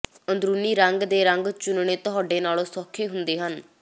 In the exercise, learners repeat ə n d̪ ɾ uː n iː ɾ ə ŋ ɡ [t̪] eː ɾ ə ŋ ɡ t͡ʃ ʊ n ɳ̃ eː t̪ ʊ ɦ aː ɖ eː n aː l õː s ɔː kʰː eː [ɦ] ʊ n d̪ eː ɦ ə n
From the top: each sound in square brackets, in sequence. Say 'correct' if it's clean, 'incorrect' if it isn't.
incorrect: d̪, correct

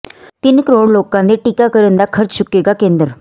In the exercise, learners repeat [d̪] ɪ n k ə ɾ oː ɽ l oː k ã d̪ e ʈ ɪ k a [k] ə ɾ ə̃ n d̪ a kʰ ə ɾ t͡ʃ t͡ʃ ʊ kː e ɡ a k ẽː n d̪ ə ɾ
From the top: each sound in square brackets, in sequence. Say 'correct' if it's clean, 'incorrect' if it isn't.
incorrect: t̪, correct

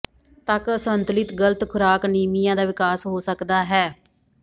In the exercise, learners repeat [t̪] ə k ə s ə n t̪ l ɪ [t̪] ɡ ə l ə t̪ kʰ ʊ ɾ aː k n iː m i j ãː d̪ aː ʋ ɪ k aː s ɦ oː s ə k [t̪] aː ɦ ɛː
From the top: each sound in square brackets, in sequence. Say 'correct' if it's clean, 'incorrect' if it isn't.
correct, correct, incorrect: d̪

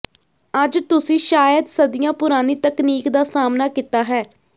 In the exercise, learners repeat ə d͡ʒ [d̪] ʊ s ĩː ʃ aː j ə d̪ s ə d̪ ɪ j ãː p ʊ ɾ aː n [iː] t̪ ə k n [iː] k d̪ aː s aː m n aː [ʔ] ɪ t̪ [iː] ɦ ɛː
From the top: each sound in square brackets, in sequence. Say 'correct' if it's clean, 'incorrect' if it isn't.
incorrect: t̪, correct, correct, incorrect: k, incorrect: aː

